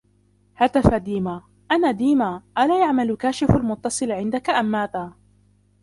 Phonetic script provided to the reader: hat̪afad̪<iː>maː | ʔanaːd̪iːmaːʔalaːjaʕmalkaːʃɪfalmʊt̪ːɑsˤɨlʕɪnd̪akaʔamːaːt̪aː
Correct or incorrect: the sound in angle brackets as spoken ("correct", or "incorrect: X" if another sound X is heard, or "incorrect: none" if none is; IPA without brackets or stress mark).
correct